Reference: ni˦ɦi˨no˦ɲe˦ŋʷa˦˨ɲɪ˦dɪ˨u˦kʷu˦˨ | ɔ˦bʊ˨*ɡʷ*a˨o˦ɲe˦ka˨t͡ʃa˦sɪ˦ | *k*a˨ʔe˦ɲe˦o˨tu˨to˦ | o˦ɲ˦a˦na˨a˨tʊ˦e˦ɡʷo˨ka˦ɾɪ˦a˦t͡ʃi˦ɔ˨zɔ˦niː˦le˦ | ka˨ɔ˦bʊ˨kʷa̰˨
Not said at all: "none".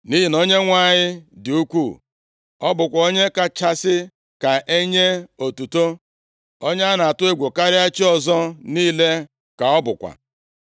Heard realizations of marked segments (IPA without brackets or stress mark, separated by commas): kʷ, k